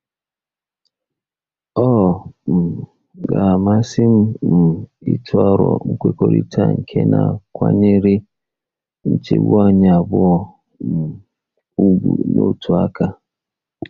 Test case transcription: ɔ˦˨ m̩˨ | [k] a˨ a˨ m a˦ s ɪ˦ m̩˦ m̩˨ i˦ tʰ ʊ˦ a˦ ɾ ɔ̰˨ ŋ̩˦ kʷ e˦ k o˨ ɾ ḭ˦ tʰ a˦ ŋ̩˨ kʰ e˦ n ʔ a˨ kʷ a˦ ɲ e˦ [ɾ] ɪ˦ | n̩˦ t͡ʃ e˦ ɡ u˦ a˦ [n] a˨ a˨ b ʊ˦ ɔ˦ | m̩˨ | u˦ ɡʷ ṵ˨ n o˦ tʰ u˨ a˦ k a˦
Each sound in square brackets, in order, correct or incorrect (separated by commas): incorrect, correct, incorrect